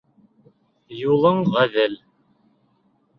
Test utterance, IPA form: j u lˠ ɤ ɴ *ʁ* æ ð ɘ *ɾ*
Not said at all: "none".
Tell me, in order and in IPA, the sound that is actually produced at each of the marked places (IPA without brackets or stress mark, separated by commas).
ʁ, l